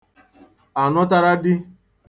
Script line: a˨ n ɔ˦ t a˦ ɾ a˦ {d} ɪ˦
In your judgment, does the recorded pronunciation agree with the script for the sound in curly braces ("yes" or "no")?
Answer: yes